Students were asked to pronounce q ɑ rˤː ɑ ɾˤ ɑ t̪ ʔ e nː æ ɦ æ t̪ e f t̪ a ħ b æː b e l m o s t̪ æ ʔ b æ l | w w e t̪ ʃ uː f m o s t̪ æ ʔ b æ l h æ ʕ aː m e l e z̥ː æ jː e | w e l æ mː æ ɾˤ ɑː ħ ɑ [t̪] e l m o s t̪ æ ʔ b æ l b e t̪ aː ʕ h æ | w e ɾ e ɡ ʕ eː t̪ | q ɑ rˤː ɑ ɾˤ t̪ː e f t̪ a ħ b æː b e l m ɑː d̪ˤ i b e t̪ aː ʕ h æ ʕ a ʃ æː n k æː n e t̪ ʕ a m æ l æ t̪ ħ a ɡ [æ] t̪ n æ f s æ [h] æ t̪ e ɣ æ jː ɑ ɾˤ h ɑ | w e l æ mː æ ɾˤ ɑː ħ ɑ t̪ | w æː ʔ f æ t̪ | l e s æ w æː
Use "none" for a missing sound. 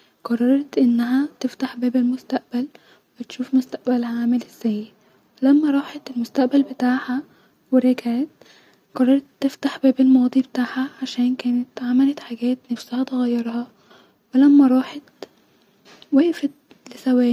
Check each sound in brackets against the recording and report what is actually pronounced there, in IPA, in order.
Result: t̪, æː, h

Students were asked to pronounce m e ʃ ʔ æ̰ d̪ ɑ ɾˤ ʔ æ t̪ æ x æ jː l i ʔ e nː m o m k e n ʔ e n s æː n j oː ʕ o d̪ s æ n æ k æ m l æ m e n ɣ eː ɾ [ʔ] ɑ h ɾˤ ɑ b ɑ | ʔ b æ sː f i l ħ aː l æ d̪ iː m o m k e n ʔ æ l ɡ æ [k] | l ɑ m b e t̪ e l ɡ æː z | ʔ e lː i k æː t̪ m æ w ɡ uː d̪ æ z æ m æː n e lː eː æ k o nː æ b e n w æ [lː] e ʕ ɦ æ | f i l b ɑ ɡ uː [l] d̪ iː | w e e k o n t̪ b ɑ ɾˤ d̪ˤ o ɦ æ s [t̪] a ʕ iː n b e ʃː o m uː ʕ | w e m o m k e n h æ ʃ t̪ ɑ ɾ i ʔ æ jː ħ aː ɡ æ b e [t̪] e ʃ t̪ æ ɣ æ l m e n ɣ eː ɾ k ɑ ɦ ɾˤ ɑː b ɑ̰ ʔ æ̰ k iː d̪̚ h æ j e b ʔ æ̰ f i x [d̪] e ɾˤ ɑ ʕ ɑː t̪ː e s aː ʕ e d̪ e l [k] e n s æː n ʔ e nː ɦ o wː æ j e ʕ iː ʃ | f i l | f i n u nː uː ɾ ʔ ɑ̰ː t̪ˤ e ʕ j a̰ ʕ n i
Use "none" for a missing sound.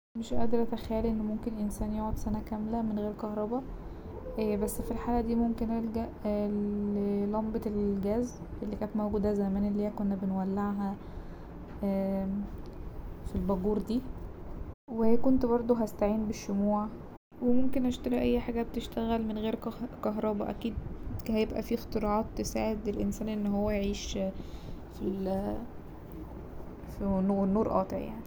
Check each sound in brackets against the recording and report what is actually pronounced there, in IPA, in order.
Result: k, ʔ, lː, ɾ, t̪, t̪, t̪, ʔ

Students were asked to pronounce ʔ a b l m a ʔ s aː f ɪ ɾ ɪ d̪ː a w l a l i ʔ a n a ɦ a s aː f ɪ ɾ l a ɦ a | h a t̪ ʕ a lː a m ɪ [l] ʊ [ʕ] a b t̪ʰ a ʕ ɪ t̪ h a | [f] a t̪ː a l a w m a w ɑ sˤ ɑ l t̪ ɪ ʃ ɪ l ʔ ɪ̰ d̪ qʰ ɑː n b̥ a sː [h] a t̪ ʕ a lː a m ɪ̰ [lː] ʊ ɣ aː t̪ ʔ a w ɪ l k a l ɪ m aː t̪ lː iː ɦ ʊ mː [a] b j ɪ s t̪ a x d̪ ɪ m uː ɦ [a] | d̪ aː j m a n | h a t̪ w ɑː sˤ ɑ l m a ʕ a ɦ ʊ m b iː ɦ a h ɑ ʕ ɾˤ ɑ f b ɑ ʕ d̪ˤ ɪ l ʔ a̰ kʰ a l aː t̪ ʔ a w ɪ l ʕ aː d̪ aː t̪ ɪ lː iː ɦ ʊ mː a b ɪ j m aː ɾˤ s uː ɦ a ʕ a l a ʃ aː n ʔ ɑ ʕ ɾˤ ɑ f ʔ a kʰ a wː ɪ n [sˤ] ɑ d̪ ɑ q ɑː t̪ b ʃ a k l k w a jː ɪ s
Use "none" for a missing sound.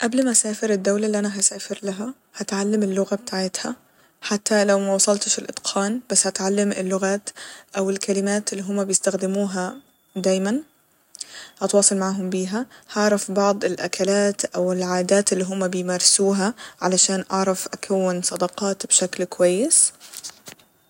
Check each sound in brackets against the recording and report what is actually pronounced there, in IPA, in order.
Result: lː, ɣ, ħ, h, lː, a, a, sˤ

